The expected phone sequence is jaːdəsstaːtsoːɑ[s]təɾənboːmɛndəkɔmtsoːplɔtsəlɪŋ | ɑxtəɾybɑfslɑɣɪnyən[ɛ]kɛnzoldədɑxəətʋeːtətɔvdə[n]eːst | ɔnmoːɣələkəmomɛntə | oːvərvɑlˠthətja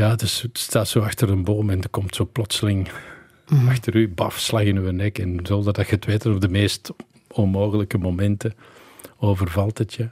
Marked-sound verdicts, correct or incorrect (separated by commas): incorrect, correct, incorrect